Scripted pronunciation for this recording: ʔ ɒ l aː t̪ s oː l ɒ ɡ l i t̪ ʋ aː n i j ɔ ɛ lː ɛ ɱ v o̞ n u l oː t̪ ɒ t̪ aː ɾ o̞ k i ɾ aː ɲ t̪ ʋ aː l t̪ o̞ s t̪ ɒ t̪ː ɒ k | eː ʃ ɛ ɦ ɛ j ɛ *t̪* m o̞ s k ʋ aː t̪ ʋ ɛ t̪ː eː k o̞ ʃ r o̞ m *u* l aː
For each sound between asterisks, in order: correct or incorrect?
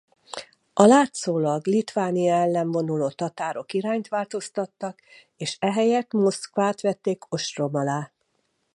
correct, incorrect: ɒ

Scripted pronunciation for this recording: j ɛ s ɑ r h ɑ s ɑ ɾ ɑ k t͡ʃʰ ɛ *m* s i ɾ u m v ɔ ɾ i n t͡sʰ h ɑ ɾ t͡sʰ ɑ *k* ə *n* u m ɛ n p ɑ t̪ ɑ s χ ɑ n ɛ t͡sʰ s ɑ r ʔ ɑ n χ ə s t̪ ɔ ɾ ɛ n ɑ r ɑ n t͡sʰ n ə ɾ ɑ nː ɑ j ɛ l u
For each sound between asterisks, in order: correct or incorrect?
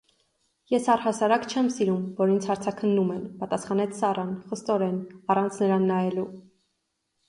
correct, incorrect: kʰ, incorrect: nː

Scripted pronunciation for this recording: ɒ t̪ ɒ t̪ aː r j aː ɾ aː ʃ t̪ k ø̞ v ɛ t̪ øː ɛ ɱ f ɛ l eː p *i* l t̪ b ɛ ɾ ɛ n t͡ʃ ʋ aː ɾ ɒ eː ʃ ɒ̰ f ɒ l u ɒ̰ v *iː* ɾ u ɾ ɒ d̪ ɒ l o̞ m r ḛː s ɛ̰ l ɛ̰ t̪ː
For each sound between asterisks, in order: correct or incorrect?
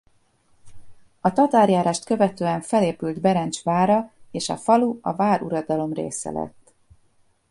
incorrect: y, incorrect: aː

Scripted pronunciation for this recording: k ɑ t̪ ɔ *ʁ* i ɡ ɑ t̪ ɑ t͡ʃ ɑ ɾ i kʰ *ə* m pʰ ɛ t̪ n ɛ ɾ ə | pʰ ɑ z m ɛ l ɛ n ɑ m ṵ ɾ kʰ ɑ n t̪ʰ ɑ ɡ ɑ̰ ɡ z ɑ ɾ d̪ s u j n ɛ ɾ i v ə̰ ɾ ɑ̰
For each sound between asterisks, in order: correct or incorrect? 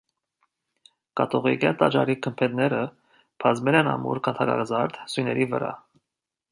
correct, correct

